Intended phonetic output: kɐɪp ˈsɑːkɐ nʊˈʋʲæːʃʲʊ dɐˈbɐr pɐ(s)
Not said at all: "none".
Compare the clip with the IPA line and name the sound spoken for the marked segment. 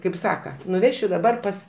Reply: s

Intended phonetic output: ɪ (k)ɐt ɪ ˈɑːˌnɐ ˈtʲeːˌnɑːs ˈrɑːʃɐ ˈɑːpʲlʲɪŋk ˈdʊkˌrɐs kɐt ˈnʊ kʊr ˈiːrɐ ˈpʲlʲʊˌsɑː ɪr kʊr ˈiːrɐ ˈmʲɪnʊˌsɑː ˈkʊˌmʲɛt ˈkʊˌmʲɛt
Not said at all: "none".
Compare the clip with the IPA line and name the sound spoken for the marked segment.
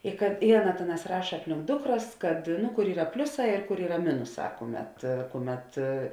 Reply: k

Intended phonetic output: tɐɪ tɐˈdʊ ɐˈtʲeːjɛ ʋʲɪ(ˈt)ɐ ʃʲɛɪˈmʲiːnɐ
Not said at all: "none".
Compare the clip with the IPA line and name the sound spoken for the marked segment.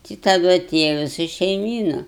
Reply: s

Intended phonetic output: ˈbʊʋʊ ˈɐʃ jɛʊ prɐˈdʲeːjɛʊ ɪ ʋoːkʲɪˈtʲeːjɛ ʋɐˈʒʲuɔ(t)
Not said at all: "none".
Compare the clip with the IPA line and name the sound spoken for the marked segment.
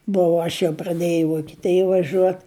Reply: t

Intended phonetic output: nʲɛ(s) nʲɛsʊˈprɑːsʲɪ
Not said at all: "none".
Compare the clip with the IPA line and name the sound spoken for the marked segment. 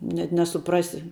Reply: t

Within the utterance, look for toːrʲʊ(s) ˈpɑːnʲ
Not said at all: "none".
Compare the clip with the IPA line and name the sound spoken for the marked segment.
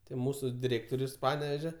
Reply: s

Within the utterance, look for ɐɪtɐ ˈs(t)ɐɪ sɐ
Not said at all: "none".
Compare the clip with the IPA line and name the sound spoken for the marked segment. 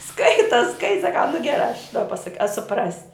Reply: k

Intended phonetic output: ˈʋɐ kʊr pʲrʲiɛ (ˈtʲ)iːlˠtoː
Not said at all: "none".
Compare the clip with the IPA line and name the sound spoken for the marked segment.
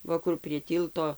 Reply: tʲ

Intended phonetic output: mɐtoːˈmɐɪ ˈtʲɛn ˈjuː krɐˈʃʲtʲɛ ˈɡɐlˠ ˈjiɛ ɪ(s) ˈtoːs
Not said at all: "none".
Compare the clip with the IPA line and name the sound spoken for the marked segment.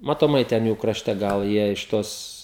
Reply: ʃ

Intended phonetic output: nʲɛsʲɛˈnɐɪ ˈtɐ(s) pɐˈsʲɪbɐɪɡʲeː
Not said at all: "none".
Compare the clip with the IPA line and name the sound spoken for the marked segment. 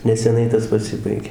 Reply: s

